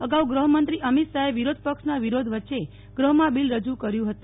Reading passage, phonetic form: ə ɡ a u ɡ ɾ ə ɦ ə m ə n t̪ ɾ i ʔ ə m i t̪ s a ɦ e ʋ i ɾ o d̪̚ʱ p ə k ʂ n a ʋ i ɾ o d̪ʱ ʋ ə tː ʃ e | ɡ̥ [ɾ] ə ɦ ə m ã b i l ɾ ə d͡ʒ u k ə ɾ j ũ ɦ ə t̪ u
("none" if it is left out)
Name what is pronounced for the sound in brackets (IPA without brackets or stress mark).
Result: ɾ